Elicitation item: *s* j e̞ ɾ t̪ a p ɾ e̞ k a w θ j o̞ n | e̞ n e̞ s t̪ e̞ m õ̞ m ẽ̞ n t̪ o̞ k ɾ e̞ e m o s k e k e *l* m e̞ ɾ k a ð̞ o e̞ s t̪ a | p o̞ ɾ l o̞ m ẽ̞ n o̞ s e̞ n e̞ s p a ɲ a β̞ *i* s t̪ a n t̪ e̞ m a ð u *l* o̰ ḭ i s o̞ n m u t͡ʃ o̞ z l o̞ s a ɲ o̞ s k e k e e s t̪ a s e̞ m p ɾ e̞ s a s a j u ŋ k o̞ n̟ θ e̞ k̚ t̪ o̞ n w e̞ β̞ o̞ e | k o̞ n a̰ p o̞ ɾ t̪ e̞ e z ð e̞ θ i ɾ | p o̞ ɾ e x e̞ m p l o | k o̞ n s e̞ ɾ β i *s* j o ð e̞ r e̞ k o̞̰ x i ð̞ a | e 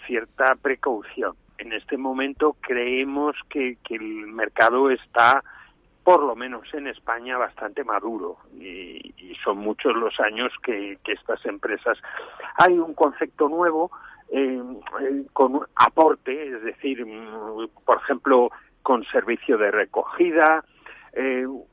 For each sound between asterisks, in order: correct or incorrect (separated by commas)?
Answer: incorrect, correct, incorrect, incorrect, incorrect